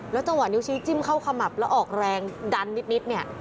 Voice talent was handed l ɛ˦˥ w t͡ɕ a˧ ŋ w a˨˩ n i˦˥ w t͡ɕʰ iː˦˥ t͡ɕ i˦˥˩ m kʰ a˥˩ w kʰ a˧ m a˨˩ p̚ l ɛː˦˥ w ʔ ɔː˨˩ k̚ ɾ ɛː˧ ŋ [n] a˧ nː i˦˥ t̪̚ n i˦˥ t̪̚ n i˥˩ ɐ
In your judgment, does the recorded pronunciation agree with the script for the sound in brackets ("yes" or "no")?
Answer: no